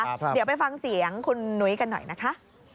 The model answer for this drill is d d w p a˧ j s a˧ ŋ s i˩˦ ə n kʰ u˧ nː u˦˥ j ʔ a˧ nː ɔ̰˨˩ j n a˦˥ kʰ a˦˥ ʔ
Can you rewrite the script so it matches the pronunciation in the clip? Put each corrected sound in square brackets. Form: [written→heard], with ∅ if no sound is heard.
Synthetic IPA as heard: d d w p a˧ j [s→f] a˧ ŋ s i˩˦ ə [n→ŋ] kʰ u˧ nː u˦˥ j [ʔ→k] a˧ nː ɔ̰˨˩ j n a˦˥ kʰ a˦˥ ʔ